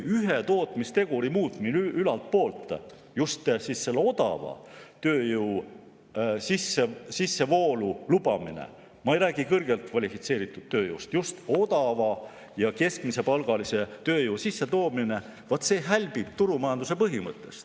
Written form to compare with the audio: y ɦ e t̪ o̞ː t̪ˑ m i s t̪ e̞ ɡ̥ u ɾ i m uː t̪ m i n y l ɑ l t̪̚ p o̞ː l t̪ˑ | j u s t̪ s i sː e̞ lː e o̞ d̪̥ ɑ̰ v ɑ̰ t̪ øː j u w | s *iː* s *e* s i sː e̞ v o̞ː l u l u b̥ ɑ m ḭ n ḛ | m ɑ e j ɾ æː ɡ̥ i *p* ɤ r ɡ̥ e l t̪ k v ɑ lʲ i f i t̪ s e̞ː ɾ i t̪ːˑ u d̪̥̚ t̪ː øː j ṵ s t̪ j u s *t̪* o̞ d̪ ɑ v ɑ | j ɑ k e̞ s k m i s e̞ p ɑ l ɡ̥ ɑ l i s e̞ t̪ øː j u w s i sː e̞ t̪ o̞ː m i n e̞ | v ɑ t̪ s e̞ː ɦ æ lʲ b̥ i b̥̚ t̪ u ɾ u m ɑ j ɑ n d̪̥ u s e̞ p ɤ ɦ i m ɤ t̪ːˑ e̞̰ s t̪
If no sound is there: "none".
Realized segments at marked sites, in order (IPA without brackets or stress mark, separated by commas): i, e, k, t̪